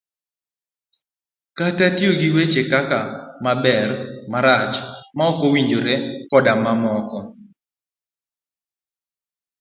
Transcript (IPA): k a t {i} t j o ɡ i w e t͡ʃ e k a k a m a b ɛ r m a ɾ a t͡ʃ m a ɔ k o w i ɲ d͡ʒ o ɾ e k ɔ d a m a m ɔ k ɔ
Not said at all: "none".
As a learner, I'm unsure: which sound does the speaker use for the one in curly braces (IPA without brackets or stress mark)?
a